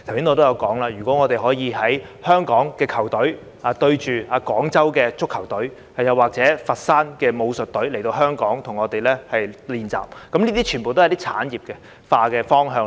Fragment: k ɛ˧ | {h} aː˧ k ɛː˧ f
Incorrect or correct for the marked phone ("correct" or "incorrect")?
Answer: incorrect